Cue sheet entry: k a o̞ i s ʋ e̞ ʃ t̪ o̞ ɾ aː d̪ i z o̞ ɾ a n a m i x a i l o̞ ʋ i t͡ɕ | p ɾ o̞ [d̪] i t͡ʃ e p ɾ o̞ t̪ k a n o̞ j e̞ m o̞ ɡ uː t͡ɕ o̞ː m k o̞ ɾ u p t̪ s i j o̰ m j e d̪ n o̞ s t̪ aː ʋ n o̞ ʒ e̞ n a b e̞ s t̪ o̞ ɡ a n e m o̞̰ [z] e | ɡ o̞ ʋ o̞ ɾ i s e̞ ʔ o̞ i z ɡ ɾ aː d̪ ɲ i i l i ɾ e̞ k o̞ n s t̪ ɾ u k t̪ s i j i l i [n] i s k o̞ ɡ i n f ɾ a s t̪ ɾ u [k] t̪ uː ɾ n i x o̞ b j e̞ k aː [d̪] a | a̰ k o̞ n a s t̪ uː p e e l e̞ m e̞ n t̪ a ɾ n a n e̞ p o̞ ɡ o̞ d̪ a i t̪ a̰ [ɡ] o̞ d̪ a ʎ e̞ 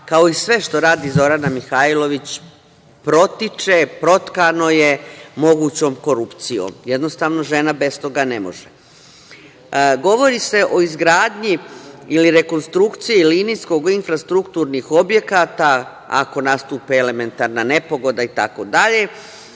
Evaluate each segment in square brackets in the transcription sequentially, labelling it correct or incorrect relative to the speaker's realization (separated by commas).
incorrect, incorrect, correct, correct, incorrect, incorrect